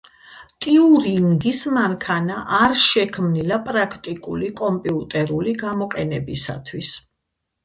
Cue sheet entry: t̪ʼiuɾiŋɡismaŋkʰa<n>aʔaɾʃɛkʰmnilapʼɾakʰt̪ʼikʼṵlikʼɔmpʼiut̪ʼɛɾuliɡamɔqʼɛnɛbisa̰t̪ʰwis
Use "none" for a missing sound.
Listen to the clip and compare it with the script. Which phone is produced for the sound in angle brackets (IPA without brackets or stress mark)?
n